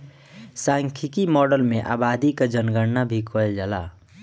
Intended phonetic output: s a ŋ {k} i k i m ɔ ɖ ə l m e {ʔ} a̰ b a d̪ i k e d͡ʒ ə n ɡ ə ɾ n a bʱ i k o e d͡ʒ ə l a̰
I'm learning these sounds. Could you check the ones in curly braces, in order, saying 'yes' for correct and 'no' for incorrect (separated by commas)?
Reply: no, yes